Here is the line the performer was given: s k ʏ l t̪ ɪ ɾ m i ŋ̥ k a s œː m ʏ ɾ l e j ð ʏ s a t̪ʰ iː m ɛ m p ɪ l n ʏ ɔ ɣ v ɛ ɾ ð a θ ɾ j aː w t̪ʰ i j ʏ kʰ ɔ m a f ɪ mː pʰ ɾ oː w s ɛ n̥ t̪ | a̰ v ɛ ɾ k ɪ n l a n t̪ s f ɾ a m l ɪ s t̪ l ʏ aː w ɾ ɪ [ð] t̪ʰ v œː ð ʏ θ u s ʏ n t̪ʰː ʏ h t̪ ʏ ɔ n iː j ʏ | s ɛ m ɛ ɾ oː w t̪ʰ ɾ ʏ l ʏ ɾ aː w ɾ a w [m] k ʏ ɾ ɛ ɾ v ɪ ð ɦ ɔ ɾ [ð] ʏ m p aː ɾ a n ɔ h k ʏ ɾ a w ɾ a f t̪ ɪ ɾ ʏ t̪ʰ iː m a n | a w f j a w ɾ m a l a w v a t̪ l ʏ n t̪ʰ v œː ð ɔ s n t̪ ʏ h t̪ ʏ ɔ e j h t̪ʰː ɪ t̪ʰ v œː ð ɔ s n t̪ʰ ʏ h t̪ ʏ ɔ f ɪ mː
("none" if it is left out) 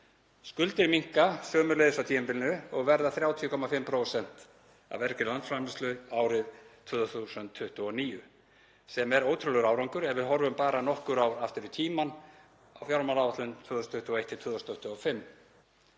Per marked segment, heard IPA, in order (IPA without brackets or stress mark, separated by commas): ð, ŋ, v